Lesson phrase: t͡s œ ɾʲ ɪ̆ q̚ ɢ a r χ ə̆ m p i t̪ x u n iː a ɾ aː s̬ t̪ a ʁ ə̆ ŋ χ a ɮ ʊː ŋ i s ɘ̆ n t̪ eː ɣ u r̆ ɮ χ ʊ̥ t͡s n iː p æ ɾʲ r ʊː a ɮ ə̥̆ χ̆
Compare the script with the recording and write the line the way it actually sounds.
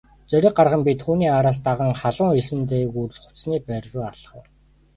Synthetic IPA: t͡s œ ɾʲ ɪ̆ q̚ ɢ a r ʁ ə̆ m p i t̪ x uː n iː a ɾ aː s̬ t̪ a ʁ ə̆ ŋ χ a ɮ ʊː ŋ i s ɘ̆ n t̪ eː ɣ u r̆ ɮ χ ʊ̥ t͡s n iː p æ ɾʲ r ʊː a ɮ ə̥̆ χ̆

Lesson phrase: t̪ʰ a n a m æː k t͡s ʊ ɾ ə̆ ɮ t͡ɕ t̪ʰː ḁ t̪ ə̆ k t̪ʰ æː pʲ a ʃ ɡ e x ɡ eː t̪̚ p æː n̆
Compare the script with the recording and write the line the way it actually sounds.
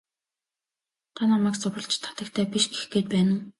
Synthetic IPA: t̪ʰ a n a m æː k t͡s ʊ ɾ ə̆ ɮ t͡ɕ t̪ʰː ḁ t̪ ə̆ k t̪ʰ æː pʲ i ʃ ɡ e x ɡ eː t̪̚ p æː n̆

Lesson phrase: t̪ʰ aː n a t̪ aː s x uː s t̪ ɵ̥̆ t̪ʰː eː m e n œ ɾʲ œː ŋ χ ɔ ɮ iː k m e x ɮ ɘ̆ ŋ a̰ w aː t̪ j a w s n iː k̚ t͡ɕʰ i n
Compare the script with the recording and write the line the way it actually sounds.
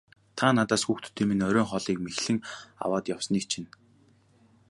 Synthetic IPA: t̪ʰ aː n a t̪ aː s x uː x t̪ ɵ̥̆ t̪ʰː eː m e n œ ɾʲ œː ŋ χ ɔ ɮ iː k m e x ɮ ɘ̆ ŋ a̰ w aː t̪ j a w s n iː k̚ t͡ɕʰ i n

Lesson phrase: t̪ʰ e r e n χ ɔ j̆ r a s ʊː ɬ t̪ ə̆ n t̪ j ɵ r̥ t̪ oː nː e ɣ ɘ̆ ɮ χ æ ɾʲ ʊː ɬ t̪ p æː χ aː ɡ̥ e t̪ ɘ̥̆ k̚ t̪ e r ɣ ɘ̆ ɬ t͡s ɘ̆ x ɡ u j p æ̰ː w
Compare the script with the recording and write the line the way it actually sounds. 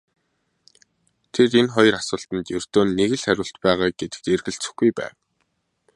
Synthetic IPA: t̪ʰ e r e n χ ɔ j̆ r a s ʊː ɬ t̪ ə̆ n t̪ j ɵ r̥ t̪ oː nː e ɣ ɘ̆ ɮ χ æ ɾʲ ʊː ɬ t̪ p æː ʁ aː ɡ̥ e t̪ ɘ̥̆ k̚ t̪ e r ɣ ɘ̆ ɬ t͡s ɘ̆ x ɡ u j p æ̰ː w

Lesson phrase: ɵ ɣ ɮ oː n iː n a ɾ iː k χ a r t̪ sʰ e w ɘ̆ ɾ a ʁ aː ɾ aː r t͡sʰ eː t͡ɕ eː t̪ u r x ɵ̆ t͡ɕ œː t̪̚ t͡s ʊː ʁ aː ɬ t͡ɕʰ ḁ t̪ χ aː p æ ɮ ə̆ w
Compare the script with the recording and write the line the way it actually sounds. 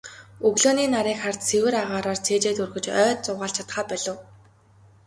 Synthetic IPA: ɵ ɣ ɮ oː n iː n a ɾ iː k χ a r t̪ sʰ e w ɘ̆ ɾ a ʁ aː ɾ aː r t͡sʰ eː t͡ɕ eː t̪ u r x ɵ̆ t͡ɕ œː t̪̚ t͡s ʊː ʁ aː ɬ t͡ɕʰ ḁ t̪ χ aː p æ ɮ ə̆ w

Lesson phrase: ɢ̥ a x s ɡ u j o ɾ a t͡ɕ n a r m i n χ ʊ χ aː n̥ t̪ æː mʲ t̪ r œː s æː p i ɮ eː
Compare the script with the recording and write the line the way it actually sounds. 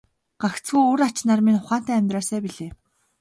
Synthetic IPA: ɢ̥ a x t͡s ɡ u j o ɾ a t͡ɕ n a r m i n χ ʊ χ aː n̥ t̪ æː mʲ t̪ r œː s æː p i ɮ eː

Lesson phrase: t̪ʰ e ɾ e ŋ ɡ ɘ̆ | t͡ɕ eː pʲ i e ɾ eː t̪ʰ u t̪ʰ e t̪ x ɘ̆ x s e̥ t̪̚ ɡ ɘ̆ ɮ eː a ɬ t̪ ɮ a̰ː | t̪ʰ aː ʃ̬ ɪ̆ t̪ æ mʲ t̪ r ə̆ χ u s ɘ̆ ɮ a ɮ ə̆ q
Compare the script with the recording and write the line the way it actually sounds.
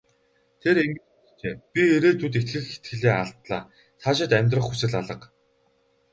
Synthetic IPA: t̪ʰ e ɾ e ŋ ɡ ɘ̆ | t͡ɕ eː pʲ i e ɾ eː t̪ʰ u t̪ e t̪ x ɘ̆ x x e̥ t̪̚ ɡ ɘ̆ ɮ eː a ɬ t̪ ɮ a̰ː | t̪ʰ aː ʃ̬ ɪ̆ t̪ æ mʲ t̪ r ə̆ χ u s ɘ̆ ɮ a ɮ ə̆ q

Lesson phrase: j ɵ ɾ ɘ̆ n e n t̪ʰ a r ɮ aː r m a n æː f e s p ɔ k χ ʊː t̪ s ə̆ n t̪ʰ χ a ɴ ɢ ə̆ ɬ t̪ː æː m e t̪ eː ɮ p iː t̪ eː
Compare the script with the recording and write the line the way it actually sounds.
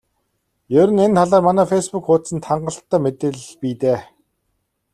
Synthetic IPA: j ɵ ɾ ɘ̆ n e n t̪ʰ a ɮ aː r m a n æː f e s p u k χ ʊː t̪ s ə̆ n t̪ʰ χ a ɴ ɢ ə̆ ɬ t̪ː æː m e t̪ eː ɮ p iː t̪ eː

